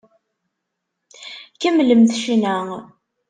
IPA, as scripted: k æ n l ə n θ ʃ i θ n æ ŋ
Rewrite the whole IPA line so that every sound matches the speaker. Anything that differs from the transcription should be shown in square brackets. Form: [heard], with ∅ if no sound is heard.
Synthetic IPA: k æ [m] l ə [m] θ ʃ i [∅] n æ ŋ